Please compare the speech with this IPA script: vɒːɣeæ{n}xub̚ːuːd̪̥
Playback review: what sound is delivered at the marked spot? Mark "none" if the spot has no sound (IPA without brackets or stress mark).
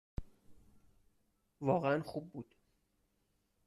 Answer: n